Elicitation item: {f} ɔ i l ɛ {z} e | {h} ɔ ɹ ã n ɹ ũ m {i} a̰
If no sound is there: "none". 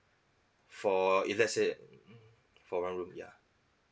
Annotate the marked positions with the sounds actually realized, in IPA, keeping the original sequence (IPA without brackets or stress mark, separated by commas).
f, s, f, j